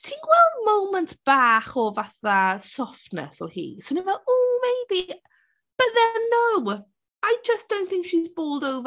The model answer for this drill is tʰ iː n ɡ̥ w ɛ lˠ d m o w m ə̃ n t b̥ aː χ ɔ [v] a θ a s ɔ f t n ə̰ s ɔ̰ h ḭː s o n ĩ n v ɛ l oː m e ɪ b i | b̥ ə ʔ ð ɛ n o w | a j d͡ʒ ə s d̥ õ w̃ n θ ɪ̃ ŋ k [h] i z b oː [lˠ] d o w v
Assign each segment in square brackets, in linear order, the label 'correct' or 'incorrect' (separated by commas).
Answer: correct, incorrect, correct